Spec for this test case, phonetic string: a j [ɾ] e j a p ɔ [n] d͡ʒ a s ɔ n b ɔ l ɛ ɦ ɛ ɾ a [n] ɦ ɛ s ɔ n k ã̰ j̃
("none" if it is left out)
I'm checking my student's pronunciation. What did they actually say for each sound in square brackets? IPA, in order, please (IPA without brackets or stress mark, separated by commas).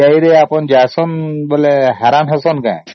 ɾ, n, n